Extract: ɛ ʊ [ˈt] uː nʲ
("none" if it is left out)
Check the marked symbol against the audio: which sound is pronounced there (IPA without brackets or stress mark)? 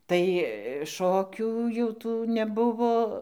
t